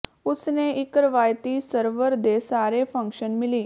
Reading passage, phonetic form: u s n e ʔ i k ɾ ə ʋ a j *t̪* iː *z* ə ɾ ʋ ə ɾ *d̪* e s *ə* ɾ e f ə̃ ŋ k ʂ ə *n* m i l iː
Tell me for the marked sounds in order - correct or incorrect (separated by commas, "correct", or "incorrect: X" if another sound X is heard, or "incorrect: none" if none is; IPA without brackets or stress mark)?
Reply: correct, incorrect: s, correct, incorrect: a, correct